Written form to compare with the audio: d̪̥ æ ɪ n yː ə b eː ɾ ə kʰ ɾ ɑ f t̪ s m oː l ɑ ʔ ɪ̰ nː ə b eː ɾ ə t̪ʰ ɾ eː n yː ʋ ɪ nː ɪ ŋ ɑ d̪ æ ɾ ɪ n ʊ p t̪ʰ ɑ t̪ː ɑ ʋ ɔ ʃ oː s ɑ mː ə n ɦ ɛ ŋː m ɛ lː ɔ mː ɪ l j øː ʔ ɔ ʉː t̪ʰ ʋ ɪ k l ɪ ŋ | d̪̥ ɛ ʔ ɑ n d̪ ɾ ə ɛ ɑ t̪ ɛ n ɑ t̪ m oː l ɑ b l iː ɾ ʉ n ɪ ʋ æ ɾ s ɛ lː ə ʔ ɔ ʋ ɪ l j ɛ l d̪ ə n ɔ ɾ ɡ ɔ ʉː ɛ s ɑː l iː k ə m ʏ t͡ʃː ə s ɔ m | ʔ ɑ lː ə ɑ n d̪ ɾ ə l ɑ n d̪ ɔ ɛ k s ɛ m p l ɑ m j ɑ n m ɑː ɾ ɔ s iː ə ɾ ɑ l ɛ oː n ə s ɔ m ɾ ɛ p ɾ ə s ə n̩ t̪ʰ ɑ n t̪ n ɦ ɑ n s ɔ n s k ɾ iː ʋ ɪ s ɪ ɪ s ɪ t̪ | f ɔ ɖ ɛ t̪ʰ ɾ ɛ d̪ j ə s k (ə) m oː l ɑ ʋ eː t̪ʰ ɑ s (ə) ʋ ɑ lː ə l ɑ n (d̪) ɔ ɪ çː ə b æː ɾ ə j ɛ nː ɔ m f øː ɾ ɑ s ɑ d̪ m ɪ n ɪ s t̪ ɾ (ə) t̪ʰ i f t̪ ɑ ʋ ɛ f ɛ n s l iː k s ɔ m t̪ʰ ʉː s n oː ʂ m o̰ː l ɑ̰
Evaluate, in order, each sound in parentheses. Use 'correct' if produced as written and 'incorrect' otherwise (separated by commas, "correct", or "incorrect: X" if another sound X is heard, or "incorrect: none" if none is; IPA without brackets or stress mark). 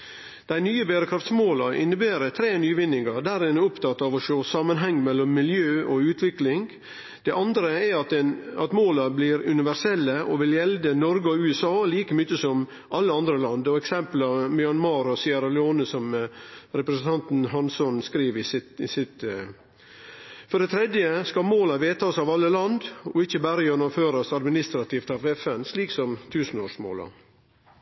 incorrect: ɑ, incorrect: ɑ, correct, incorrect: ɑ